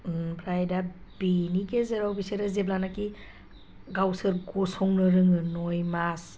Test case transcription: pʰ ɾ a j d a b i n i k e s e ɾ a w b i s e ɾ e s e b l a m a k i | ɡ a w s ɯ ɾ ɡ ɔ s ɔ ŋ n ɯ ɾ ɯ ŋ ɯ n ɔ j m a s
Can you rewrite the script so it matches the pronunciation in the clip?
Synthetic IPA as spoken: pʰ ɾ a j d a b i n i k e z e ɾ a w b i s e ɾ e z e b l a n a k i | ɡ a w s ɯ ɾ ɡ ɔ s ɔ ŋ n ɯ ɾ ɯ ŋ ɯ n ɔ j m a s